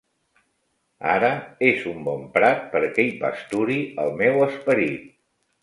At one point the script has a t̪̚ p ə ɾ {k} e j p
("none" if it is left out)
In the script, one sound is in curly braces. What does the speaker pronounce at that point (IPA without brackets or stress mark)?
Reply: k